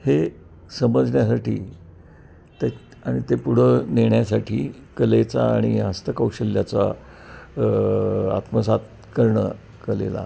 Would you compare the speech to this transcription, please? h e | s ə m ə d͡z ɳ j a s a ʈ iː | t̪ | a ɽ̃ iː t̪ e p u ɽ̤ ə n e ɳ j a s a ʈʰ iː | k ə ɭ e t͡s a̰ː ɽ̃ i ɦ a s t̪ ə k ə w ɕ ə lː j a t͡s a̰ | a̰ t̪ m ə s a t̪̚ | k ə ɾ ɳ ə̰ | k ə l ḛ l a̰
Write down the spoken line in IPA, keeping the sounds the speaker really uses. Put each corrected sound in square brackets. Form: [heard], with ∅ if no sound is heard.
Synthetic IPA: h e | s ə m ə d͡z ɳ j a s a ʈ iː | t̪ | a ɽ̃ [i] t̪ e p u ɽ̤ ə n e ɳ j a s a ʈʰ iː | k ə [l] e t͡s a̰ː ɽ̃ i ɦ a s t̪ ə k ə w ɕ ə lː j a t͡s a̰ | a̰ t̪ m ə s a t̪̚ | k ə ɾ ɳ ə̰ | k ə l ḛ l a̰